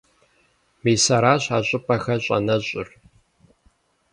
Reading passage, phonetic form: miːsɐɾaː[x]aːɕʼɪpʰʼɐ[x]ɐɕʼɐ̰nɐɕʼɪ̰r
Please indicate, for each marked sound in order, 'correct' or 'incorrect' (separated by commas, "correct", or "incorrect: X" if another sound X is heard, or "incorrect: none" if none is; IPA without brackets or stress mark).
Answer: incorrect: ɕ, correct